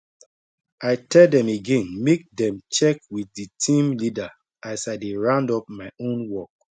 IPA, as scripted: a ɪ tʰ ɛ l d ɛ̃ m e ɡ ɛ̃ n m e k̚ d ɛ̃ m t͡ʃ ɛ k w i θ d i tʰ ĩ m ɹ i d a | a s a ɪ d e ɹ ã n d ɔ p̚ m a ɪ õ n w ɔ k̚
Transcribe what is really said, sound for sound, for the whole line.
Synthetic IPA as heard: a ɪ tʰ ɛ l d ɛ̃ m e ɡ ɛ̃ n m e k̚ d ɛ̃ m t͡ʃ ɛ k w i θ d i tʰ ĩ m l i d a | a s a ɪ d e ɹ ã n d ɔ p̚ m a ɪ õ n w ɔ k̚